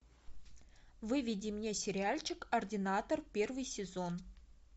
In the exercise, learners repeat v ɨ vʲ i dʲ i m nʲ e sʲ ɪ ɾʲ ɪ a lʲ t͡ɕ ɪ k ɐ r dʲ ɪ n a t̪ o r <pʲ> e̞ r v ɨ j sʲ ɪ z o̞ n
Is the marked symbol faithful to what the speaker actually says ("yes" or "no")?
yes